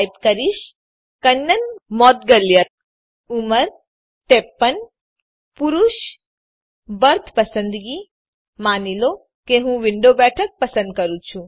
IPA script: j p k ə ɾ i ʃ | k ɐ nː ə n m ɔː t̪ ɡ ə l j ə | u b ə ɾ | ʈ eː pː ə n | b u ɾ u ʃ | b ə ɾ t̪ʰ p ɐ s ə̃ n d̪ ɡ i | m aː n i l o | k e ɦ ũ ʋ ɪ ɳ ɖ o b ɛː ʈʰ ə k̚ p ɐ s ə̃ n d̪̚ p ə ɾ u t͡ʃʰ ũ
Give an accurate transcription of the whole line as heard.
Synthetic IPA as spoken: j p k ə ɾ i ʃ | k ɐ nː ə n m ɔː t̪ ɡ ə l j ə | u m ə ɾ | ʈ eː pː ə n | p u ɾ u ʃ | b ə ɾ t̪ʰ p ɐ s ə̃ n d̪ ɡ i | m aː n i l o | k e ɦ ũ ʋ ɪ ɳ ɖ o b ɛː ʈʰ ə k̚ p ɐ s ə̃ n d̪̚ k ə ɾ u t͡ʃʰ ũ